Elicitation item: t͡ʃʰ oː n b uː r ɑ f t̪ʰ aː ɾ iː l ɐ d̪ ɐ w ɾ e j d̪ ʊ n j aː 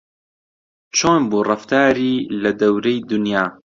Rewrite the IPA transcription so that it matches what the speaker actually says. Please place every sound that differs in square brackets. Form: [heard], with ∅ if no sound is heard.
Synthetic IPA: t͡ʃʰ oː n b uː r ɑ f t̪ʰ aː ɾ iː l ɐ d̪ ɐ w ɾ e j d̪ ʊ n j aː

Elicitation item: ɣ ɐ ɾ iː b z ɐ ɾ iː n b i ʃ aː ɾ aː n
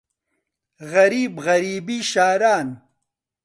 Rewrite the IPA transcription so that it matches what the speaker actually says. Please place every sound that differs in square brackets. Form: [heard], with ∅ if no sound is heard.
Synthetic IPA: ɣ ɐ ɾ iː b [ɣ] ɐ ɾ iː [∅] b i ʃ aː ɾ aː n

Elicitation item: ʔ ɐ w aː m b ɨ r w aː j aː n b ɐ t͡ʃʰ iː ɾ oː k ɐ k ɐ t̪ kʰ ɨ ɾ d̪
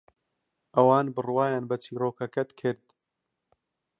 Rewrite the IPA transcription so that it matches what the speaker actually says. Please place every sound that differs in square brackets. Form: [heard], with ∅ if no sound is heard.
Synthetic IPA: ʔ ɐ w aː [n] b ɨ r w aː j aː n b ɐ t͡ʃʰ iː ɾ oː k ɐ k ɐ t̪ kʰ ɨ ɾ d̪

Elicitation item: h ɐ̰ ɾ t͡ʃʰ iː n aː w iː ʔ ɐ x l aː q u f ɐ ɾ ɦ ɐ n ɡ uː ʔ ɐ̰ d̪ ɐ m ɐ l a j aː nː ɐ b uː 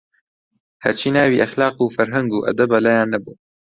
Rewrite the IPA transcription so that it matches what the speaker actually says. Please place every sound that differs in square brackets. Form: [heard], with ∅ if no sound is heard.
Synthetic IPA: h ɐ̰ ɾ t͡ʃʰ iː n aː w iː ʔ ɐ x l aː q u f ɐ ɾ ɦ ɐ [ŋ] ɡ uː ʔ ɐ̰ d̪ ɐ [b] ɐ l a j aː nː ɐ b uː

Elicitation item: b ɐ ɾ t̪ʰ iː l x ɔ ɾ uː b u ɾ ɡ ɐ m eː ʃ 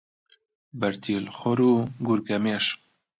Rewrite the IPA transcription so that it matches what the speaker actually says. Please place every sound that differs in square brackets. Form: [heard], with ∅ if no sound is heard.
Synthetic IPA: b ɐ ɾ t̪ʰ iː l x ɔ ɾ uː [ɡ] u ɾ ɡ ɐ m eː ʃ

